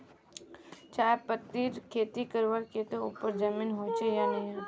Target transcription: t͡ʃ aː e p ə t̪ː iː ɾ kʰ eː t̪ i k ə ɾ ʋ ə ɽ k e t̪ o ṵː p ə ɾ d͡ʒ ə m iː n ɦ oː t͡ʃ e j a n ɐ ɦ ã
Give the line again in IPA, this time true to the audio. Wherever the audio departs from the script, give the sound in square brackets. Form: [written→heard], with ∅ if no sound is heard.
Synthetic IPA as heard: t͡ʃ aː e p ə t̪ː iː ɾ kʰ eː t̪ i k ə ɾ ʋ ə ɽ k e t̪ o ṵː p ə ɾ d͡ʒ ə m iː n ɦ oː t͡ʃ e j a n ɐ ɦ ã